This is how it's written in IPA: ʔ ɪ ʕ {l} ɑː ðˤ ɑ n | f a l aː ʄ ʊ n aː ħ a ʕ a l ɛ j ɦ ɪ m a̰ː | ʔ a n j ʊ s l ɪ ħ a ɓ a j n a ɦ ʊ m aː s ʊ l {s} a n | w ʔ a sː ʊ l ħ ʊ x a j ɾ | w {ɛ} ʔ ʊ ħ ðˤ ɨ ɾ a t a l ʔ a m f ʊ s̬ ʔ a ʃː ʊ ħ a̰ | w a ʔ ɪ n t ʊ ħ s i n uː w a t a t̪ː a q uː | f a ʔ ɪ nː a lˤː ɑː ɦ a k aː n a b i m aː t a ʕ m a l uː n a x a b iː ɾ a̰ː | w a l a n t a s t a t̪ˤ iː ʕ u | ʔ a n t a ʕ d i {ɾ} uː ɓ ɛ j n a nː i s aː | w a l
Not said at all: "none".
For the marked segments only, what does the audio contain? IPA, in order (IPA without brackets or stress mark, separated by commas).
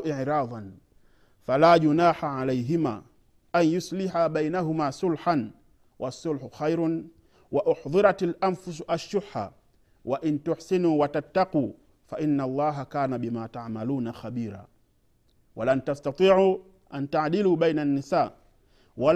ɾ, ħ, a, l